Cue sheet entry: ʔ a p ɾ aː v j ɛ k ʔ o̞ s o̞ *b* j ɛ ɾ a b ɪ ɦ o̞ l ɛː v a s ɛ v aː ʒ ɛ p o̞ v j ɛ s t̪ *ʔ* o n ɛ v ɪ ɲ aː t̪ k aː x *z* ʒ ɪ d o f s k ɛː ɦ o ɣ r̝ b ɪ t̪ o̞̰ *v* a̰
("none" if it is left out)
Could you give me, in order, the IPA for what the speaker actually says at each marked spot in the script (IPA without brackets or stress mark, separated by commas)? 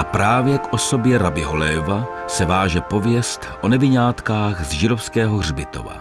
b, ʔ, z, v